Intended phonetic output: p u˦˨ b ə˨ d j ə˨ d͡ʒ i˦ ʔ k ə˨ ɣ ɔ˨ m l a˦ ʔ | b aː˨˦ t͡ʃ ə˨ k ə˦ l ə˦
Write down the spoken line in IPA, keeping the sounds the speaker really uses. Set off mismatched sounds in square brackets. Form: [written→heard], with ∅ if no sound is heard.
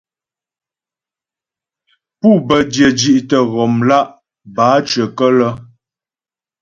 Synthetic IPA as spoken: p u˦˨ b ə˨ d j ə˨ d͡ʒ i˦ ʔ [k→t] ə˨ ɣ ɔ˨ m l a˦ ʔ | b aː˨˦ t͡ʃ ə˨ k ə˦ l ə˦